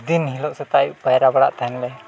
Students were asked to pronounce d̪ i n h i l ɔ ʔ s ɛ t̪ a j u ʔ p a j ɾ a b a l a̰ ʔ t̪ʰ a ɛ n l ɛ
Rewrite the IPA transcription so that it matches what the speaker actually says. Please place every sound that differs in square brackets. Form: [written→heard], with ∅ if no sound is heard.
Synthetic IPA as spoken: d̪ i n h i l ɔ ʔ s ɛ t̪ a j u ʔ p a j ɾ a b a [l→ɽ] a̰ ʔ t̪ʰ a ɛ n l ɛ